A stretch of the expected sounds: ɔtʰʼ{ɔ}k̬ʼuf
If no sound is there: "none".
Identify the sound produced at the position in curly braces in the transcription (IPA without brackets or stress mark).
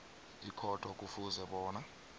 ɔ